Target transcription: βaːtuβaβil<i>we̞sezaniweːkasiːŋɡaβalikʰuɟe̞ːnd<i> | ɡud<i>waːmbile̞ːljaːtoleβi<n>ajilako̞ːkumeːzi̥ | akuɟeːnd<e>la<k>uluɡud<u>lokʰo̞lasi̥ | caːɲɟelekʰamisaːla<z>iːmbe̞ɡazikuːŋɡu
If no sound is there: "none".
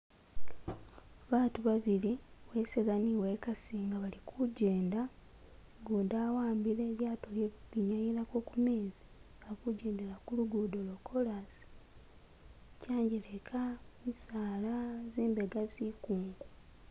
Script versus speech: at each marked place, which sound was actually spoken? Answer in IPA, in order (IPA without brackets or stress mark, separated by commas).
i, a, a, ɲ, e, k, o, z